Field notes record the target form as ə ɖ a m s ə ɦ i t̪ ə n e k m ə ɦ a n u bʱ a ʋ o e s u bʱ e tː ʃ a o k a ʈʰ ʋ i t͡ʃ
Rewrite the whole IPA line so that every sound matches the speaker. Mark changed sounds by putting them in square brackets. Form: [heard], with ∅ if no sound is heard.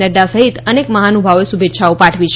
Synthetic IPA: ə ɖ a [∅] s ə ɦ i t̪ ə n e k m ə ɦ a n u bʱ a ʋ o e s u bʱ e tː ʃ a o [p] a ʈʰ ʋ i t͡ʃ